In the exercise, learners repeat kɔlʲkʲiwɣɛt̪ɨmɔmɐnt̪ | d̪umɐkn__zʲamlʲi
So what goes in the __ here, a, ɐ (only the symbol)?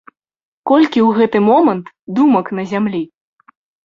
ɐ